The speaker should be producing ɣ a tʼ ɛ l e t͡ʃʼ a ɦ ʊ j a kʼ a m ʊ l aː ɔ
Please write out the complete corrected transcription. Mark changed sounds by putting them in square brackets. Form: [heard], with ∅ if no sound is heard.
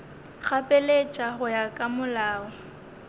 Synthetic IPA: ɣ a [pʼ] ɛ l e t͡ʃʼ a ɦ ʊ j a kʼ a m ʊ l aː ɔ